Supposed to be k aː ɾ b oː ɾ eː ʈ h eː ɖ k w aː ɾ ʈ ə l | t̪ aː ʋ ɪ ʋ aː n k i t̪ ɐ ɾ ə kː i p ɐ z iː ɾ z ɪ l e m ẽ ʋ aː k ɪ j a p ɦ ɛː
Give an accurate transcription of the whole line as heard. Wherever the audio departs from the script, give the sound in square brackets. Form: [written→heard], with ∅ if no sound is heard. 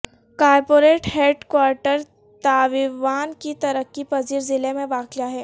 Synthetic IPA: k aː ɾ [b→p] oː ɾ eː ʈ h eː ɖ k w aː ɾ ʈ ə [l→ɾ] | t̪ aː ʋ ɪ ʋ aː n k i t̪ ɐ ɾ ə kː i p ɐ z iː ɾ z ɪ l e m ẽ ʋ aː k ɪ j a [p→∅] ɦ ɛː